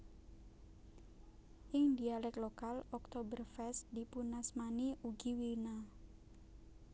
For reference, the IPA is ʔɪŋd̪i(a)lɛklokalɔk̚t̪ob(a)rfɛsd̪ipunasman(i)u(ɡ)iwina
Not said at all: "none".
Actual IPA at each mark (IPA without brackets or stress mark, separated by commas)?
a, ə, i, ɡ